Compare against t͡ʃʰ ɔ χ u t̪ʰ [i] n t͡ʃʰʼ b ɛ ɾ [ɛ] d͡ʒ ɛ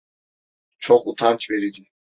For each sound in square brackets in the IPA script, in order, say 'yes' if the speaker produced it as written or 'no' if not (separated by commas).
no, no